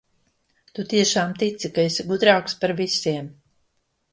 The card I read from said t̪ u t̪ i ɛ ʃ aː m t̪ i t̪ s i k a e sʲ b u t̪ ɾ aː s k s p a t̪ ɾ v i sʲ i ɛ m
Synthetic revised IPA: t̪ u t̪ i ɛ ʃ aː m t̪ i t̪ s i k a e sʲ ɡ u d̪ ɾ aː k s p a ɾ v i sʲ i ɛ m